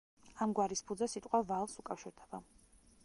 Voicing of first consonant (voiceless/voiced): voiced